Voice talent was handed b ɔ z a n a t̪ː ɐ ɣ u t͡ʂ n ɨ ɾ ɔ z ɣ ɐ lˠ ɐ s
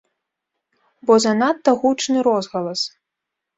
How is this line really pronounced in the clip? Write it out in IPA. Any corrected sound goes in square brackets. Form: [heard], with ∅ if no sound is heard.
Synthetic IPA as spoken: b ɔ z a n a t̪ː ɐ ɣ u t͡ʂ n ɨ ɾ ɔ z ɣ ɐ lˠ ɐ s